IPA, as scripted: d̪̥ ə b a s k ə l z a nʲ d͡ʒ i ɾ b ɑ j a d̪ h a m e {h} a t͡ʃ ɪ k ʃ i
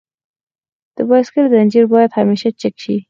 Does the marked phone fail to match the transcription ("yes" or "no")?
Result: yes